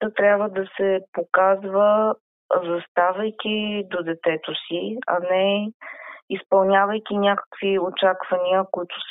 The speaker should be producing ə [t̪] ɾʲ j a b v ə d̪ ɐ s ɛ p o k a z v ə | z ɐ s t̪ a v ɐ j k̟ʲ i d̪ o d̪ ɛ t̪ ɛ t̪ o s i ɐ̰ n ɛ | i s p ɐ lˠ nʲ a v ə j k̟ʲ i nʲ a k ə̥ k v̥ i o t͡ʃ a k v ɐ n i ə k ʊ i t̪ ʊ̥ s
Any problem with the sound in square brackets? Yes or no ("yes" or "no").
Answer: no